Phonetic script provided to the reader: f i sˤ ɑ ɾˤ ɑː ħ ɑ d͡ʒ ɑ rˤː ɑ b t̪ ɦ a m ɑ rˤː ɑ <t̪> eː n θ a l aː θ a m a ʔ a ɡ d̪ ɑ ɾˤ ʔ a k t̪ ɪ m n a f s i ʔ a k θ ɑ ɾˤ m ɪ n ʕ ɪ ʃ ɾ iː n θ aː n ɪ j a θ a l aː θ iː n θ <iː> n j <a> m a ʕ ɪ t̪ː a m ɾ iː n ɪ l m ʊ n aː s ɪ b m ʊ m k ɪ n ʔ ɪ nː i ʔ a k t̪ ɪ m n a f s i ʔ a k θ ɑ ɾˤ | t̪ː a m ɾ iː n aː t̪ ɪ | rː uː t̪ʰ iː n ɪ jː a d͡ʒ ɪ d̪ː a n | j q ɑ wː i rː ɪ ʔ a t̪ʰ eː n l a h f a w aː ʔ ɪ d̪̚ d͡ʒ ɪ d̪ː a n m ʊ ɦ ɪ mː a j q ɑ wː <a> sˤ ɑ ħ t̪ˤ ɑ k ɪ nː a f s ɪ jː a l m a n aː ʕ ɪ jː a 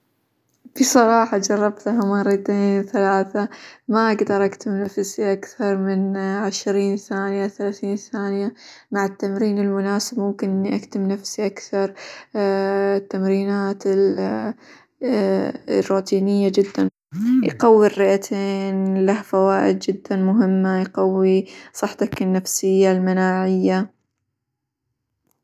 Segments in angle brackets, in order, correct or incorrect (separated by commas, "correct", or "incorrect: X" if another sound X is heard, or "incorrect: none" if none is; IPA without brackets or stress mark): correct, incorrect: aː, correct, incorrect: i